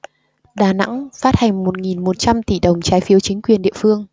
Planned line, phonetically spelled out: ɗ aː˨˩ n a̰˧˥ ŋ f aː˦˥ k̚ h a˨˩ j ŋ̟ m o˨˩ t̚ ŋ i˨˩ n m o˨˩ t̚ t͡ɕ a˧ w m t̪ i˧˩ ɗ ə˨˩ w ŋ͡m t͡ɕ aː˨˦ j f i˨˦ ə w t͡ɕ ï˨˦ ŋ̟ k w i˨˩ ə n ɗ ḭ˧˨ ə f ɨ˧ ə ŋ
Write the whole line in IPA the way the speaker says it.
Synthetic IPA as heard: ɗ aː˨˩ n a̰˧˥ ŋ f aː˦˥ t̚ h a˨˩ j ŋ̟ m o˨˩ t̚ ŋ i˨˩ n m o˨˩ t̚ t͡ɕ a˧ m t̪ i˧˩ ɗ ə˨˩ w ŋ͡m t͡ɕ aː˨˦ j f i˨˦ ə w t͡ɕ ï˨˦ ŋ̟ k w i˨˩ ə n ɗ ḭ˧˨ ə f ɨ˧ ə ŋ